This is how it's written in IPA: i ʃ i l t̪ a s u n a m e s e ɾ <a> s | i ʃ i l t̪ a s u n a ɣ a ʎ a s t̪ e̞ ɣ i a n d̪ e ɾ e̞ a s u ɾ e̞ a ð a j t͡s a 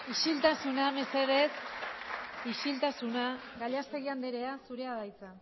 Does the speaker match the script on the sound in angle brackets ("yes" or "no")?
no